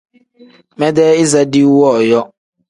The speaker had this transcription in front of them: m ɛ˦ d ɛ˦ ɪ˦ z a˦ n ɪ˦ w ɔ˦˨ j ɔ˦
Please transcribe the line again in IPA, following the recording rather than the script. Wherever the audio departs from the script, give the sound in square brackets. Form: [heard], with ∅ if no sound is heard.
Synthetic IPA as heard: m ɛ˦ d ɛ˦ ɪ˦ z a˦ [d] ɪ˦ w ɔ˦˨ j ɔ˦